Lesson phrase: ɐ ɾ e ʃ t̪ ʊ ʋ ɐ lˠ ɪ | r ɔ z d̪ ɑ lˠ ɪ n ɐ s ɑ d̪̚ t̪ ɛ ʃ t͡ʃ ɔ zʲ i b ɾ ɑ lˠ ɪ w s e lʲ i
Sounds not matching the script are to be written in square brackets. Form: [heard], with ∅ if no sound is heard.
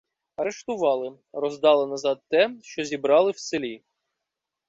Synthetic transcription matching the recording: ɐ ɾ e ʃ t̪ ʊ ʋ [ɑ] lˠ ɪ | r ɔ z d̪ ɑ lˠ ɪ n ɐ [z] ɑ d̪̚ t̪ ɛ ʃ t͡ʃ ɔ zʲ i b ɾ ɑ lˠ ɪ w s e lʲ i